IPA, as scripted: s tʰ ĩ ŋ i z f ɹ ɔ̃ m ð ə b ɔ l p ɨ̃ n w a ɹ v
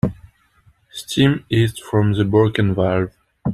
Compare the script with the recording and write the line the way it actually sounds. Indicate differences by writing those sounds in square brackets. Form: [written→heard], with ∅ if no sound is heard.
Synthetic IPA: s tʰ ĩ [ŋ→m] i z f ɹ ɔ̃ m ð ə b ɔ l [p→k] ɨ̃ n [w→v] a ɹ v